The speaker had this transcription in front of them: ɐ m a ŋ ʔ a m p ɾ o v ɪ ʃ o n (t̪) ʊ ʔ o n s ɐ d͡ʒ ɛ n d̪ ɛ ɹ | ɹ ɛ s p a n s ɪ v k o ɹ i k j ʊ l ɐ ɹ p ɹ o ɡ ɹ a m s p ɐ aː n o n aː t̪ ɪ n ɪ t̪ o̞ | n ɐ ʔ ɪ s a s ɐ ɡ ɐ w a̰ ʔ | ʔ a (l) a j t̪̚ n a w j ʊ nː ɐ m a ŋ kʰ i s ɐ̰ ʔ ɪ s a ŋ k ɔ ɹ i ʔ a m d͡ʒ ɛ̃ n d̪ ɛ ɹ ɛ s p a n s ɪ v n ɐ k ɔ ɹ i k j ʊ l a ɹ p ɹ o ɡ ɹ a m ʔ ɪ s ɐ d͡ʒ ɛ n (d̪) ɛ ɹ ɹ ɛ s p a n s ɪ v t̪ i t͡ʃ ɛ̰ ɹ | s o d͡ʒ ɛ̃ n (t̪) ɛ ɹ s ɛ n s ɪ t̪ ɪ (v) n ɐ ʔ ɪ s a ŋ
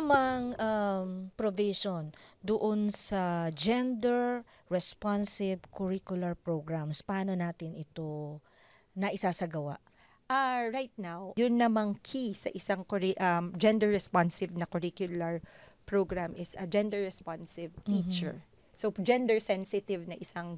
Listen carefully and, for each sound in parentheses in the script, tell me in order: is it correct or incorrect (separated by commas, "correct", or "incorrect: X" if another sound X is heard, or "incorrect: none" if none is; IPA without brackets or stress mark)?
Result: incorrect: d̪, incorrect: ɹ, correct, incorrect: d̪, correct